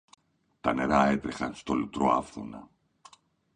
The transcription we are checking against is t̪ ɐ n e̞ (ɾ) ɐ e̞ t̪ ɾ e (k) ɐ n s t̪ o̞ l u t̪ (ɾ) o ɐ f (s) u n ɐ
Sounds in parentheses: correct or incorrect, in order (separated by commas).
correct, incorrect, correct, incorrect